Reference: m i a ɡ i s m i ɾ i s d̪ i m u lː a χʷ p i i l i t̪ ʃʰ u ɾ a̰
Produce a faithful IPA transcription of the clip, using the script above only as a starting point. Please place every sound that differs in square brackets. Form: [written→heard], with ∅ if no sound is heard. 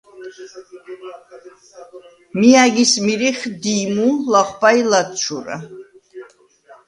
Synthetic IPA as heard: m i a ɡ i s m i ɾ i [s→χ] d̪ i m u [lː→l] a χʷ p [i→a] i l [i→a] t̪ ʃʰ u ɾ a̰